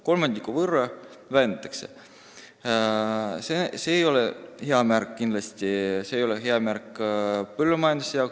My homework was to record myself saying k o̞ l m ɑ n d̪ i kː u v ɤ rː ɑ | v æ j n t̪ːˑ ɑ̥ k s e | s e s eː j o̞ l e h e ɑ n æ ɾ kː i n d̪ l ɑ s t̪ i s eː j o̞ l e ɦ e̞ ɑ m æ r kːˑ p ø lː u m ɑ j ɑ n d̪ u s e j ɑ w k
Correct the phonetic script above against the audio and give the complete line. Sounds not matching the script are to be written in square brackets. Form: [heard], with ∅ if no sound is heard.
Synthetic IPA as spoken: k o̞ l m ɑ n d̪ i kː u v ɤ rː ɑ | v æ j n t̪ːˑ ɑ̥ k s e | s e s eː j o̞ l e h e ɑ [m] æ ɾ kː i n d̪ l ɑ s t̪ i s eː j o̞ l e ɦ e̞ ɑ m æ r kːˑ p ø lː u m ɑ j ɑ n d̪ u s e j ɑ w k

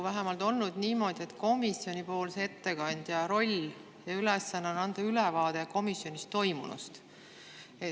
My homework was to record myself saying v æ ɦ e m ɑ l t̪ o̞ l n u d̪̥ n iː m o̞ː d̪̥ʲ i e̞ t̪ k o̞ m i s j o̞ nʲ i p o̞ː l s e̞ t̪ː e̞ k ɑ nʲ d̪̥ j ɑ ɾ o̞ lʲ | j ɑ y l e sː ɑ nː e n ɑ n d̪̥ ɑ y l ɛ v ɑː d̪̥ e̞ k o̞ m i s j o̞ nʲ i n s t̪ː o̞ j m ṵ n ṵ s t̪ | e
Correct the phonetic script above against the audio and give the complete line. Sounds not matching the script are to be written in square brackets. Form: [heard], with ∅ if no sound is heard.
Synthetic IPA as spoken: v æ ɦ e m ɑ l t̪ o̞ l n u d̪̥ n iː m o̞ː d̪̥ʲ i e̞ t̪ k o̞ m i s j o̞ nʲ i p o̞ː l s e̞ t̪ː e̞ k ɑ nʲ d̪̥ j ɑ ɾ o̞ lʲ | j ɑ y l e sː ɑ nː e n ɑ n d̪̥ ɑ y l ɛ v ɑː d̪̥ e̞ k o̞ m i s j o̞ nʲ i [∅] s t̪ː o̞ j m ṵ n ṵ s t̪ | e

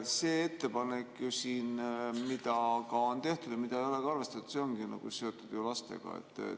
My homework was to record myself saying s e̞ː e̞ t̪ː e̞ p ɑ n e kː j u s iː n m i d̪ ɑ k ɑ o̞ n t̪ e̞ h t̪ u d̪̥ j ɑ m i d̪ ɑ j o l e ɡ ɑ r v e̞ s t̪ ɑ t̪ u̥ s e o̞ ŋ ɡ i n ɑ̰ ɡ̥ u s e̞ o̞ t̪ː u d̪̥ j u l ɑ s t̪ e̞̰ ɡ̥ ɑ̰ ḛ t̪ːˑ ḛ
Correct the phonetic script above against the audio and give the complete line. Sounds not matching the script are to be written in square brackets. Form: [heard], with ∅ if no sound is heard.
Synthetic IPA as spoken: s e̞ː e̞ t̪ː e̞ p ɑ n e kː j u s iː n m i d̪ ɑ k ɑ o̞ n t̪ e̞ h t̪ u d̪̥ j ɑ m i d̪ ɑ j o l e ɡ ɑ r v e̞ s t̪ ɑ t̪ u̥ s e o̞ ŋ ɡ i n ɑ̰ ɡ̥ u s e̞ o̞ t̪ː u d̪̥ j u l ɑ s t̪ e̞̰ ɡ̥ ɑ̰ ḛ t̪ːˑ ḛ

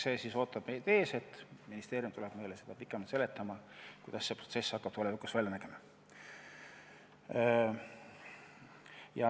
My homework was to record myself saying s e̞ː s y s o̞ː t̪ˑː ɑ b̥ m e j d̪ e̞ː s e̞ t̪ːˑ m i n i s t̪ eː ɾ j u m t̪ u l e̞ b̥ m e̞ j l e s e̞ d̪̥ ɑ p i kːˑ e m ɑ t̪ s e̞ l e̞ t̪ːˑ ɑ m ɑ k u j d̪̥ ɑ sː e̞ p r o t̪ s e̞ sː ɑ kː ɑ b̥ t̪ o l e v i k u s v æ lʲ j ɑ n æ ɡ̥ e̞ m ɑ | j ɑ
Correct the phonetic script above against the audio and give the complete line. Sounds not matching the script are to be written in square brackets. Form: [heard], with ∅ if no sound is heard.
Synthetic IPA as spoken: s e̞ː s [i] s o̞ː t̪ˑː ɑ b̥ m e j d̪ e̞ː s e̞ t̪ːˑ m i n i s t̪ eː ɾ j u m t̪ u l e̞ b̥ m e̞ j l e s e̞ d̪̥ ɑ p i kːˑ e m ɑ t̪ s e̞ l e̞ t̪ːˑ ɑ m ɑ k u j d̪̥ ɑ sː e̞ p r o t̪ s e̞ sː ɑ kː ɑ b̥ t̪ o l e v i k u s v æ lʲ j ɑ n æ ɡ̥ e̞ m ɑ | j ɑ

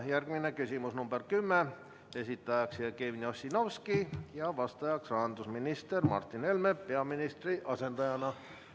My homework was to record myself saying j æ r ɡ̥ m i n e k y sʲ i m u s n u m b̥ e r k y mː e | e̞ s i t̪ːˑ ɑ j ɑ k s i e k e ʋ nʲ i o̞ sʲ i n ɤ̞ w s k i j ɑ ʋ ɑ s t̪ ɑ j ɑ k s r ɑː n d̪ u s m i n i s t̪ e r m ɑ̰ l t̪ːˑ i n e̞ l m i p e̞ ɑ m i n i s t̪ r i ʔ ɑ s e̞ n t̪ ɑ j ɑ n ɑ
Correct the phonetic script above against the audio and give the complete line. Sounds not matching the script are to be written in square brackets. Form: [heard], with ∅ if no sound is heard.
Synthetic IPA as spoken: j æ r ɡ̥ m i n e k y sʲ i m u s n u m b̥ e r k y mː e | e̞ s i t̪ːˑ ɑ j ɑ k s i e k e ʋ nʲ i o̞ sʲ i n [o̞] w s k i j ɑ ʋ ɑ s t̪ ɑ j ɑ k s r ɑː n d̪ u s m i n i s t̪ e r m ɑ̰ [r] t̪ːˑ i n e̞ l m [e] p e̞ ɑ m i n i s t̪ r i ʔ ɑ s e̞ n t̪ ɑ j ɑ n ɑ

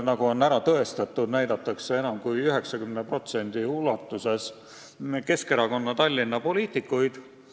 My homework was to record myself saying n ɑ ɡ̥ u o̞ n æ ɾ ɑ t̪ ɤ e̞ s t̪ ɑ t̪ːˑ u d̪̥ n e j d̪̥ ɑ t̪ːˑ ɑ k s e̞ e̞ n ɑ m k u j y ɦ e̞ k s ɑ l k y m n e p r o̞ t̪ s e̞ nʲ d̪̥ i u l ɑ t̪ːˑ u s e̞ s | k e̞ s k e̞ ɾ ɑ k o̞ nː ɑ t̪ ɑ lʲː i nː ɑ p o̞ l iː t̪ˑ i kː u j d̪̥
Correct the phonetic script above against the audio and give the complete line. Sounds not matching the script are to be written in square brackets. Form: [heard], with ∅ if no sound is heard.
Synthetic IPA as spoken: n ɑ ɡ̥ u o̞ n æ ɾ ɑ t̪ ɤ e̞ s t̪ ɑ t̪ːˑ u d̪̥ n [æ] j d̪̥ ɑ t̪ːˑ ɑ k s e̞ e̞ n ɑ m k u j y ɦ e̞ k s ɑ [∅] k y m n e p r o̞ t̪ s e̞ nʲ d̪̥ i u l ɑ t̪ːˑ u s e̞ s | k e̞ s k e̞ ɾ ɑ k o̞ nː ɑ t̪ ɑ lʲː i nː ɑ p o̞ l iː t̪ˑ i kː u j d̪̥

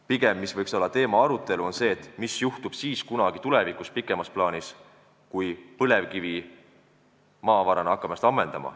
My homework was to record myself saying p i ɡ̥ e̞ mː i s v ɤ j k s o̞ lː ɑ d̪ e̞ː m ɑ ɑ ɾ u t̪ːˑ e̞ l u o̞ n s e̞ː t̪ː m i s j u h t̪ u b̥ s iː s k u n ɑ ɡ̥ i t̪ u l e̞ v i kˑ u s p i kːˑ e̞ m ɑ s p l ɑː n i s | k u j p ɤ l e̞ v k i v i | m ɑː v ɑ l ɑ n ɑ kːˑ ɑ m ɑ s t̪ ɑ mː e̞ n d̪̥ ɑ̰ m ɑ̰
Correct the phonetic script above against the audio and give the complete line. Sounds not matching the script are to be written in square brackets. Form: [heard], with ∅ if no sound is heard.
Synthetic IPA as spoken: p i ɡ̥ e̞ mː i s v ɤ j k s o̞ lː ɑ [t̪] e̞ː m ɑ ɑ ɾ u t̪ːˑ e̞ l u o̞ n s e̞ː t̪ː m i s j u h t̪ u b̥ s iː s k u n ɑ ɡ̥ i t̪ u l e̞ v i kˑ u s p i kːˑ e̞ m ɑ s p l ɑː n i s | k u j p ɤ l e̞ v k i v i | m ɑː v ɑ [ɾ] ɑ n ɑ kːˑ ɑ m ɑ s t̪ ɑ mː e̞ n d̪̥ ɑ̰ m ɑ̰

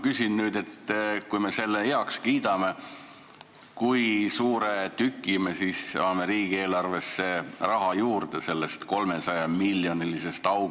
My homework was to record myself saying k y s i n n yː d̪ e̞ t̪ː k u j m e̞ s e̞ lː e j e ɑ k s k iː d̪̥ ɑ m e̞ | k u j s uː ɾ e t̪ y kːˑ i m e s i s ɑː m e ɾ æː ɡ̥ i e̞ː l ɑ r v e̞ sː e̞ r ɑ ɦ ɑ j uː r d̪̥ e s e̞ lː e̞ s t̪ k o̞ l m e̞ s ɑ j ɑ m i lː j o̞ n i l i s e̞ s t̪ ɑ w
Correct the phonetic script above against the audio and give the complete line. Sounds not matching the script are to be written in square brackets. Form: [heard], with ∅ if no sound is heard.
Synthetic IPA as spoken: k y s i n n yː d̪ e̞ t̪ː k u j m e̞ s e̞ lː e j e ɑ k s k iː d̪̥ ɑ m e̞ | k u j s uː ɾ e t̪ y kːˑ i m e s i s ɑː m e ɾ [iː] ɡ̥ i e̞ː l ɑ r v e̞ sː e̞ r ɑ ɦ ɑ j uː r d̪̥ e s e̞ lː e̞ s t̪ k o̞ l m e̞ s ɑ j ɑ m i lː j o̞ n i l i s e̞ s t̪ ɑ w

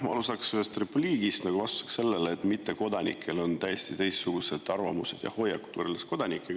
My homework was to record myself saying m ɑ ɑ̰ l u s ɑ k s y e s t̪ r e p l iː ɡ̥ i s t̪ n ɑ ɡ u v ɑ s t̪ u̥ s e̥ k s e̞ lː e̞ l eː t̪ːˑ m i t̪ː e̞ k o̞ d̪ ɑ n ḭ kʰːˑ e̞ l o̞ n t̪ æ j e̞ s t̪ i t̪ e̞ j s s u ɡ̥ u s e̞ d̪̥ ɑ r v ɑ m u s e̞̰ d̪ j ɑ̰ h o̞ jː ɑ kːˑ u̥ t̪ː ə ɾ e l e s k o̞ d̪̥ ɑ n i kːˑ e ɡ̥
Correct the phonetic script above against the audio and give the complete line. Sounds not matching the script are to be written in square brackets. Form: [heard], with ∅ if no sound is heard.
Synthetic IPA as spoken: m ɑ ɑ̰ l u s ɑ k s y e s t̪ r e p l iː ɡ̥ i s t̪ n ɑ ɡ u v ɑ s t̪ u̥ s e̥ k s e̞ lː e̞ l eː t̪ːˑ m i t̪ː e̞ k o̞ d̪ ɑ n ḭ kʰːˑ e̞ l o̞ n t̪ æ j e̞ s t̪ i t̪ e̞ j s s u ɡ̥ u s e̞ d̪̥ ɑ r v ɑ m u s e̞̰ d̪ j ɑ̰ h o̞ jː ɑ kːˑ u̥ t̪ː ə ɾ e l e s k o̞ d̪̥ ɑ n i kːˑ e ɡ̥

